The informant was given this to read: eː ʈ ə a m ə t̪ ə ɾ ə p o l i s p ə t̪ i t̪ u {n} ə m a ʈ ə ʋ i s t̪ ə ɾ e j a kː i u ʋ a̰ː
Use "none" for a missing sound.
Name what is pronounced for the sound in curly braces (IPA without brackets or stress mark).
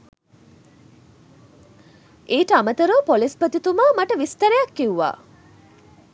m